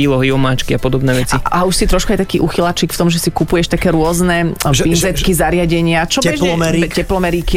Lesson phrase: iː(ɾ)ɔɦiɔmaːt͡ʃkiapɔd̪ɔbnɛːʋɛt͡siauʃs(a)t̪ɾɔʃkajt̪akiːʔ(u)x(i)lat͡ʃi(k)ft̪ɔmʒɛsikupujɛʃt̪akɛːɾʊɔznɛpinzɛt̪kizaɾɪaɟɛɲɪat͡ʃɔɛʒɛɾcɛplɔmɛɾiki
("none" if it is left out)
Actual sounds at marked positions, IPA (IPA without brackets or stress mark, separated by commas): l, i, u, i, k